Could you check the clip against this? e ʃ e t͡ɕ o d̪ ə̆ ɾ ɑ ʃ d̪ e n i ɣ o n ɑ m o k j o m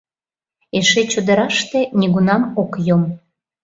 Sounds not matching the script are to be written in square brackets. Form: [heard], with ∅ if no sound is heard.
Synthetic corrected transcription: e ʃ e t͡ɕ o d̪ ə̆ ɾ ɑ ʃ [t̪] e n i ɣ [u] n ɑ m o k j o m

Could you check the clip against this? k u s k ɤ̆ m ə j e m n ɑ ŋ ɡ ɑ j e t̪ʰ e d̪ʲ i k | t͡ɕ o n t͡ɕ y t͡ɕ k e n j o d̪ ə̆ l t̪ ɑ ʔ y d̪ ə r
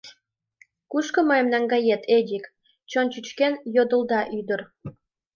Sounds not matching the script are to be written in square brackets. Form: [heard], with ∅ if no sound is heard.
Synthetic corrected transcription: k u [ʃ] k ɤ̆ m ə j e m n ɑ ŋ ɡ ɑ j e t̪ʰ e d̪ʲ i k | t͡ɕ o n t͡ɕ y t͡ɕ k e n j o d̪ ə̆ l [d̪] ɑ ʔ y d̪ ə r

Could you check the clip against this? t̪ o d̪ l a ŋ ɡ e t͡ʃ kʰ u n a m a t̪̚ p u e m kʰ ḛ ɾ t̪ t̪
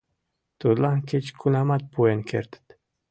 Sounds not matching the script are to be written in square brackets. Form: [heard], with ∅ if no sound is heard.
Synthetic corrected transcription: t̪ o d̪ l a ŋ [k] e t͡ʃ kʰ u n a m a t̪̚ p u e [n] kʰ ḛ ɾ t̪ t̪

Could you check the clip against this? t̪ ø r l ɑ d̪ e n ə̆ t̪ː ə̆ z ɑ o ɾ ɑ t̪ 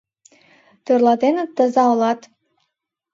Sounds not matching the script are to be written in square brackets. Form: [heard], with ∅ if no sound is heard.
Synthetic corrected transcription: t̪ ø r l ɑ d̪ e n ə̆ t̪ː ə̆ z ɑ o [l] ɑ t̪

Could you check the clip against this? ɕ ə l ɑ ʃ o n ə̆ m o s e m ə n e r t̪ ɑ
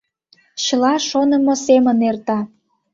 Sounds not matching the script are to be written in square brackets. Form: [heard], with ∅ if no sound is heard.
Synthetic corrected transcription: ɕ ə l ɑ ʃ o n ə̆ m o s e m ə n e r t̪ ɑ

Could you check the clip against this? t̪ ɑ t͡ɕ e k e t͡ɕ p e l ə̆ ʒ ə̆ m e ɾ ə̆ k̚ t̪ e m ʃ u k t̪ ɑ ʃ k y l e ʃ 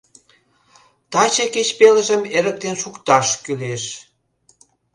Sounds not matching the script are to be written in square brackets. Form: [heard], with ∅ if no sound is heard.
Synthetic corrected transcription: t̪ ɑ t͡ɕ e k e t͡ɕ p e l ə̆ ʒ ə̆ m e ɾ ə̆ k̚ t̪ e [n] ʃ u k t̪ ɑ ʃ k y l e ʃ

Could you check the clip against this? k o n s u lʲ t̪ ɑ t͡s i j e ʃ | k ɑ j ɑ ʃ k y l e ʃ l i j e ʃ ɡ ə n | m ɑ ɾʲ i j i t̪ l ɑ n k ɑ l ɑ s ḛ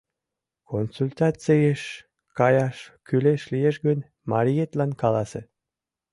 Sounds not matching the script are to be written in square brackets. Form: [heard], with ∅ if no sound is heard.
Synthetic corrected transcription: k o n s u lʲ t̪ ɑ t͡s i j e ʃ | k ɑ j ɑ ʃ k y l e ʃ l i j e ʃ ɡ ə n | m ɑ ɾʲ i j [e] t̪ l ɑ n k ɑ l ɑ s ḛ

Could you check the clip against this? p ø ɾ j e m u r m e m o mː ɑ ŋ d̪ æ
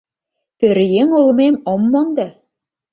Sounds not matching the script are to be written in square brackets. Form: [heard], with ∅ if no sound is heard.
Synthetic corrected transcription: p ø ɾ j e [ŋ] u [l] m e m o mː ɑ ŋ d̪ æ

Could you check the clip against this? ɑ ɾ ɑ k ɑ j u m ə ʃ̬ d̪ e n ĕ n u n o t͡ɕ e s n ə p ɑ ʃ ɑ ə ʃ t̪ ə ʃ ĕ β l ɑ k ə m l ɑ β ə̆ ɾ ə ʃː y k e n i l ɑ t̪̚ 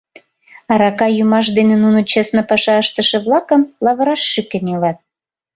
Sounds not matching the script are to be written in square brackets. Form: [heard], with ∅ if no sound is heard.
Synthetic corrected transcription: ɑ ɾ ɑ k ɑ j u m [ɑ] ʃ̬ d̪ e n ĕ n u n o t͡ɕ e s n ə p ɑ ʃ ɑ ə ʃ t̪ ə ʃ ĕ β l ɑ k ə m l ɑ β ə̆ ɾ [ɑ] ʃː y k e n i l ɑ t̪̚

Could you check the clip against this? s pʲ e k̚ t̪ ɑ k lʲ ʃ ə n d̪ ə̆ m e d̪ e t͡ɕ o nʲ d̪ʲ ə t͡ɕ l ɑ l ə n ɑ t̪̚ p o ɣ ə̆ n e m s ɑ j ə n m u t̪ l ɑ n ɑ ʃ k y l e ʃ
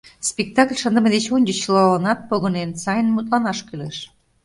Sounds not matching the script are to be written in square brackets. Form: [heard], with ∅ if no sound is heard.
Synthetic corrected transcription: s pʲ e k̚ t̪ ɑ k lʲ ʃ ə n d̪ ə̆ m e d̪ e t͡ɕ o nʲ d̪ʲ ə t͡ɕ l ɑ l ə n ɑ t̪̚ p o ɣ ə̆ n e [n] s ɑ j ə n m u t̪ l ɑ n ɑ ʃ k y l e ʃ

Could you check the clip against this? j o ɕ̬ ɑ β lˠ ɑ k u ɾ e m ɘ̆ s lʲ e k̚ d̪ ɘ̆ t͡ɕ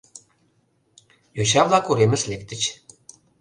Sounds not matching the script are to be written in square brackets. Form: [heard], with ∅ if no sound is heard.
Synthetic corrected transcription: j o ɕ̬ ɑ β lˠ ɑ k u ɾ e m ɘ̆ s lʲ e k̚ [t̪] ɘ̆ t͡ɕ

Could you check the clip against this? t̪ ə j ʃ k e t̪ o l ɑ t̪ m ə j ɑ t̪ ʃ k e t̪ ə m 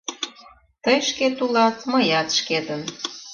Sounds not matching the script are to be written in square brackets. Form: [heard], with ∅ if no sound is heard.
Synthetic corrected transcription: t̪ ə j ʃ k e t̪ [u] l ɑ t̪ m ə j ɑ t̪ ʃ k e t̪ ə [n]

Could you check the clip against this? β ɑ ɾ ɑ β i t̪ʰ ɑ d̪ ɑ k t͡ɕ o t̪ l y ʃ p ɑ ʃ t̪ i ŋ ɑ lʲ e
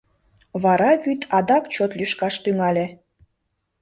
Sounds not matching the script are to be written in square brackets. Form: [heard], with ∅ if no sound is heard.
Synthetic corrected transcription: β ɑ ɾ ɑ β [y] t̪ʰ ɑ d̪ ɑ k t͡ɕ o t̪ l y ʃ [k] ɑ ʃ t̪ [y] ŋ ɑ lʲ e

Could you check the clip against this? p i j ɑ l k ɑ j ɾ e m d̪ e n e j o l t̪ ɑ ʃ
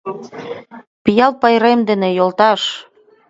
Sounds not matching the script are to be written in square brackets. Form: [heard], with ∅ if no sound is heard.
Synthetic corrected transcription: p i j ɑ l [p] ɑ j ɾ e m d̪ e n e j o l t̪ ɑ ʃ

